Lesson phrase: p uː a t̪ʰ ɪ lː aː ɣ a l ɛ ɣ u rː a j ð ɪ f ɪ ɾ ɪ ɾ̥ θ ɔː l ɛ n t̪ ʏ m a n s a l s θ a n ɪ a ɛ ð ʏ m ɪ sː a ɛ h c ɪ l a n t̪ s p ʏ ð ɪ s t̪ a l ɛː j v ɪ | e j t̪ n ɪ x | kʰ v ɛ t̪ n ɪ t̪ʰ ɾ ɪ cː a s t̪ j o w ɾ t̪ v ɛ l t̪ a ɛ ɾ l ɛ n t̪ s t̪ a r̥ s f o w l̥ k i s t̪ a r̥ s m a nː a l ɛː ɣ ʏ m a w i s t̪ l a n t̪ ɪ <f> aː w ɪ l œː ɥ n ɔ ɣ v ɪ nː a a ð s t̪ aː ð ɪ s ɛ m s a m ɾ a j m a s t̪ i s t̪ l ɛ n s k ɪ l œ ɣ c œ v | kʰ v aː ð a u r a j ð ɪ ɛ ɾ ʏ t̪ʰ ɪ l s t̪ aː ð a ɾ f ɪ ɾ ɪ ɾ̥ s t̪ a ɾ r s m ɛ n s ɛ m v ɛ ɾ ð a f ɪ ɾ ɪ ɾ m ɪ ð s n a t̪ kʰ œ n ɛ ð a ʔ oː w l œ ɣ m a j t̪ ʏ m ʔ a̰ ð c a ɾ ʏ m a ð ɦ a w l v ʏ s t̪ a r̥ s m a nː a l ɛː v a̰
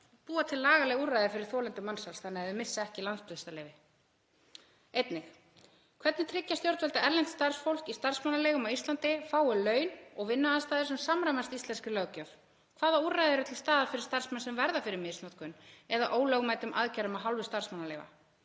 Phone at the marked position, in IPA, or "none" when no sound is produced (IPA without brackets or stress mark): f